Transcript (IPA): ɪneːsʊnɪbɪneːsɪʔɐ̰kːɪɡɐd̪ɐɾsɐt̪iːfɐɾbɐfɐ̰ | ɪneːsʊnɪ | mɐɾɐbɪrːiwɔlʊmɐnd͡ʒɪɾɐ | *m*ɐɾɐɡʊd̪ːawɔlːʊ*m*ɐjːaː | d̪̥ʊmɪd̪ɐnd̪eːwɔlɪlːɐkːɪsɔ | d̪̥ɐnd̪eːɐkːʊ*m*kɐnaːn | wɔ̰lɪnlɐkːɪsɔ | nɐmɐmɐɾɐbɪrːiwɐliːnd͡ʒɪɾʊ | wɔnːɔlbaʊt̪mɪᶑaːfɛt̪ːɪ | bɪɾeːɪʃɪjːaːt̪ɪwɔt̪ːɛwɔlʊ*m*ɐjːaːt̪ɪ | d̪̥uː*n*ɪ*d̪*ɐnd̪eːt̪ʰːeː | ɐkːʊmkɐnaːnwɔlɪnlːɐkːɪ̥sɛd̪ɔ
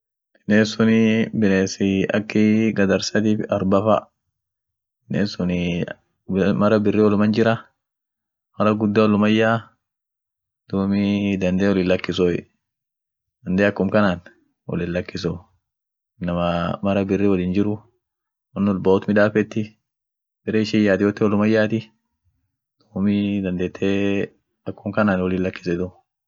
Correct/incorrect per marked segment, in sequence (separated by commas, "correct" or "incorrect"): correct, correct, correct, correct, incorrect, correct